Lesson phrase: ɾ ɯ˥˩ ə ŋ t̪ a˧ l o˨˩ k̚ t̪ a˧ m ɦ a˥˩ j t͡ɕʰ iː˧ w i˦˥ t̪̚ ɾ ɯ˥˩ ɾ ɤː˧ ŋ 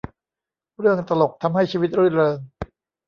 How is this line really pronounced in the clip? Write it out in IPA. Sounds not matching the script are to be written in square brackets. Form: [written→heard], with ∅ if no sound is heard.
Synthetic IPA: ɾ ɯ˥˩ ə ŋ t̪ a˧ l o˨˩ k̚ [t̪→t̪ʰ] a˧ m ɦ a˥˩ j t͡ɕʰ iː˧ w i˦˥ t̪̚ ɾ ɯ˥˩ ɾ ɤː˧ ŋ